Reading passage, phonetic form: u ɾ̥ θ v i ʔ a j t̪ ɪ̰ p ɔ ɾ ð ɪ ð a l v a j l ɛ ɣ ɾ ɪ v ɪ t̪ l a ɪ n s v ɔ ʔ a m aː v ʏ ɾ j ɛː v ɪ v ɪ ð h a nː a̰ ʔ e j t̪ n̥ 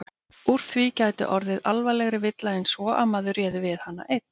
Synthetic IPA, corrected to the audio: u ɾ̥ θ v i c a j t̪ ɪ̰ ʔ ɔ ɾ ð ɪ ð a l v a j l ɛ ɣ ɾ ɪ v ɪ t̪ l a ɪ n s v ɔ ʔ a m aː ð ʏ ɾ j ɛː ð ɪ v ɪ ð h a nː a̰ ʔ e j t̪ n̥